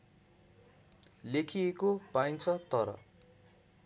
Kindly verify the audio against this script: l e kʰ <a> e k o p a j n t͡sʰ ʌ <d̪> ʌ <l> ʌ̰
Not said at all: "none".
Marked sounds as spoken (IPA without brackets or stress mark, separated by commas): i, t̪, ɾ